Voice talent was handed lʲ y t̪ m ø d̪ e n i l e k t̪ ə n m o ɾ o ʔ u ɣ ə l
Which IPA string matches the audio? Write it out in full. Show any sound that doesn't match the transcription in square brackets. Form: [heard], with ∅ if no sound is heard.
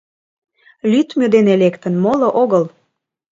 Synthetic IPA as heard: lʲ y t̪ m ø d̪ e n [e] l e k t̪ ə n m o [l] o ʔ [o] ɣ ə l